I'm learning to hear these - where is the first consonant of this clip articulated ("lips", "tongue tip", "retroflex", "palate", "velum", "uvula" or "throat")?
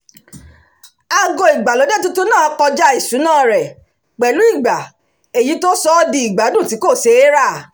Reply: velum